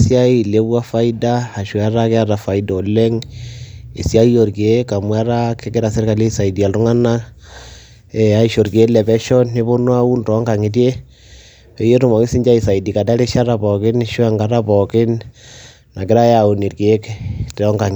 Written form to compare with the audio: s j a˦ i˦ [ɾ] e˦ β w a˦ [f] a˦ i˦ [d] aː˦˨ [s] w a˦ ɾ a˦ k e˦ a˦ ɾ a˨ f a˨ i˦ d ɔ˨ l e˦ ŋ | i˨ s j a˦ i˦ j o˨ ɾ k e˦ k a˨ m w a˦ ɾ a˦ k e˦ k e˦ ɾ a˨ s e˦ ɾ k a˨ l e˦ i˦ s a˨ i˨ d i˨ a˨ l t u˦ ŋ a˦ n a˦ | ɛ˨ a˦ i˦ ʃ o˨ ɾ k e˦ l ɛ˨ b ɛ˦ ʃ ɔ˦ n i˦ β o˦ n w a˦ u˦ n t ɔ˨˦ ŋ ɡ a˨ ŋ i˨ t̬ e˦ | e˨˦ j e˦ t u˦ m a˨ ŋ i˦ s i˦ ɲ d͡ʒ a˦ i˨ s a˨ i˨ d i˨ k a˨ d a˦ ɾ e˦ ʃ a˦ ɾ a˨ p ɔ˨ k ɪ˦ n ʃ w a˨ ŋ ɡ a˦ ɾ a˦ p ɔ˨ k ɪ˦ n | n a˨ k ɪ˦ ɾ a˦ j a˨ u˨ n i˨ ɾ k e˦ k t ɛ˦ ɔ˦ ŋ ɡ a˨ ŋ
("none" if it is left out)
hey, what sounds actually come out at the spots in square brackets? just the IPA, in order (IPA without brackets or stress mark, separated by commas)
l, f, d, ʃ